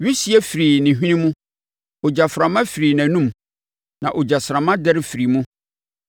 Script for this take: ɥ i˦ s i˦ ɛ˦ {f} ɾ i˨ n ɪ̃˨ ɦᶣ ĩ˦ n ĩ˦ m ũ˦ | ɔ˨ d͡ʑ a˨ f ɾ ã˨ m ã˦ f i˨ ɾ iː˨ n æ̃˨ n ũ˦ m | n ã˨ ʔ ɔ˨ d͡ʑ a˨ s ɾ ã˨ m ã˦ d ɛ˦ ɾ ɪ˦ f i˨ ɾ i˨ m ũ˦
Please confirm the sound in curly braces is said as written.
yes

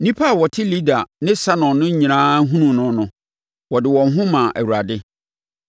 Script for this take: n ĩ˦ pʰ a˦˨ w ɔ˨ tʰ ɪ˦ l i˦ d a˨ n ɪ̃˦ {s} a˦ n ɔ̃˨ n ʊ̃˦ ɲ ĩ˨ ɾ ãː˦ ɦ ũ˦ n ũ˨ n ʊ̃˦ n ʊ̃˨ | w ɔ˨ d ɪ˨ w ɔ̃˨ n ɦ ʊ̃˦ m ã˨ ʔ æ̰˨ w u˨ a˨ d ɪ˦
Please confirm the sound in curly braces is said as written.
yes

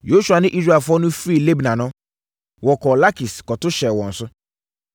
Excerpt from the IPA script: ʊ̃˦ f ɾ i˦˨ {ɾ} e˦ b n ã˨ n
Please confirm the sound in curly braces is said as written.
no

